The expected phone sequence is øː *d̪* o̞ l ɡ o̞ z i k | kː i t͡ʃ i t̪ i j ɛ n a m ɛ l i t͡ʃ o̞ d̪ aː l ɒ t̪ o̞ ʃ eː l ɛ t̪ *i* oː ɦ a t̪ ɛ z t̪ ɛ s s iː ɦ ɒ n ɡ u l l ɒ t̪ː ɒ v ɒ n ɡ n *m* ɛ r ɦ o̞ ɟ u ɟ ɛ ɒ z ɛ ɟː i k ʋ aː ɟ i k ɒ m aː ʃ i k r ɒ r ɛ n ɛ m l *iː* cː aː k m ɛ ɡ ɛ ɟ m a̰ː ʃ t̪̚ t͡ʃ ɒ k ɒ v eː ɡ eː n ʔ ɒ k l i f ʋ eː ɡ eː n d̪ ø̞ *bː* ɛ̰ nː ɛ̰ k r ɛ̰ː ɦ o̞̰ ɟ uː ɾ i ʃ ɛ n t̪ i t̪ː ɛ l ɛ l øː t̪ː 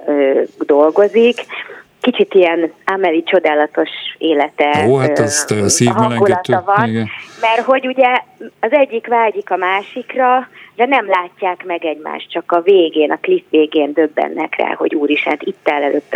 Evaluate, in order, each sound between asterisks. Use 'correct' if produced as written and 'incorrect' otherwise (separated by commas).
correct, incorrect, correct, incorrect, correct